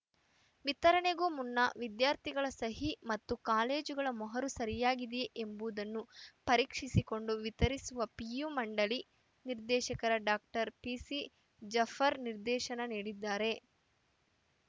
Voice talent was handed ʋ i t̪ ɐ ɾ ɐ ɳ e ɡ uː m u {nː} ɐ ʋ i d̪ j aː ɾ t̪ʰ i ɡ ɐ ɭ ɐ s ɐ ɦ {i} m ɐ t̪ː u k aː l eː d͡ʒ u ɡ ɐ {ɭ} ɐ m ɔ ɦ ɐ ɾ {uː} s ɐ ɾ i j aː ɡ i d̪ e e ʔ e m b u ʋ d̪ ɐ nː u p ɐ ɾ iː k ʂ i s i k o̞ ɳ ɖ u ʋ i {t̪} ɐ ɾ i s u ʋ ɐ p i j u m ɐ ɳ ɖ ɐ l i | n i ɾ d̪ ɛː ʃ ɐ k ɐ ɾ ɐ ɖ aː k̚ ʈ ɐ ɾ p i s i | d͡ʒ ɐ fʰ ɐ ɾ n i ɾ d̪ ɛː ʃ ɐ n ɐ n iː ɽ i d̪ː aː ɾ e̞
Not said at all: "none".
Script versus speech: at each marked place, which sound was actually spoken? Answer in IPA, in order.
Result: nː, i, ɭ, u, t̪

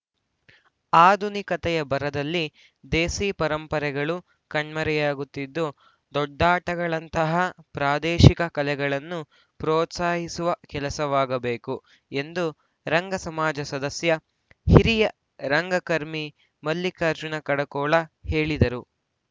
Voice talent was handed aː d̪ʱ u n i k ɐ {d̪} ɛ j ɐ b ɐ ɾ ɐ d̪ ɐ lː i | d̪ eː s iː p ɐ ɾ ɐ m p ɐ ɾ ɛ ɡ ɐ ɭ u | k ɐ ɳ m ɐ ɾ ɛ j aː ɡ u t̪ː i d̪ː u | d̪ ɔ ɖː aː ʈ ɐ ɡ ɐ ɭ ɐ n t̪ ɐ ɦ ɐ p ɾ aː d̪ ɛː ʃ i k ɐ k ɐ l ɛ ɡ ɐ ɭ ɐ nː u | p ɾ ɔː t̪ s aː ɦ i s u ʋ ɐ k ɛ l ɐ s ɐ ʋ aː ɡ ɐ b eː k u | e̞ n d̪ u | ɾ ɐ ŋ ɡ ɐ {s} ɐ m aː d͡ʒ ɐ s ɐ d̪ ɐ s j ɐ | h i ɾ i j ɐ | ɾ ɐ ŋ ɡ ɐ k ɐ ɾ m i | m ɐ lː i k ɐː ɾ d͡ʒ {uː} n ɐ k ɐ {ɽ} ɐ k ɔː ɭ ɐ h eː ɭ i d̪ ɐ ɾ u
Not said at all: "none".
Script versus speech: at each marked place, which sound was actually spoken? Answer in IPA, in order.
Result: t̪, s, u, ɽ

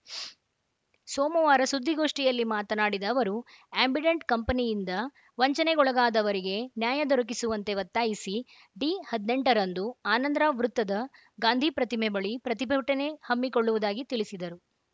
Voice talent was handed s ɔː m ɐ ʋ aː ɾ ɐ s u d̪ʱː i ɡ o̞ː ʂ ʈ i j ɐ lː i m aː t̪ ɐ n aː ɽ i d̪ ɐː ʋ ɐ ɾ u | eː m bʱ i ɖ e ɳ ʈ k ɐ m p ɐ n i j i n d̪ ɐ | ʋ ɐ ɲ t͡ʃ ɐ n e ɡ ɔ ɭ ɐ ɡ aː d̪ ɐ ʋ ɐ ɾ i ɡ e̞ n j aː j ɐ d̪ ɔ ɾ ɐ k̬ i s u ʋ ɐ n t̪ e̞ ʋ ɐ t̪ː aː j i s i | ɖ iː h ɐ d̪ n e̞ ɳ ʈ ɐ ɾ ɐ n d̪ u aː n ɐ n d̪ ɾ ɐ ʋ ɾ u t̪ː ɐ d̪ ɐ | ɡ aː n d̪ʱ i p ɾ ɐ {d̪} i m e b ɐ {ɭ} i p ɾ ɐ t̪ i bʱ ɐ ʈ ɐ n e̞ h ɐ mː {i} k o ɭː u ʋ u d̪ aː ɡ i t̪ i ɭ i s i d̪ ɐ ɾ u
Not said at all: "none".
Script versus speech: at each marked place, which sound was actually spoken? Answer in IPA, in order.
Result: t̪, ɭ, i

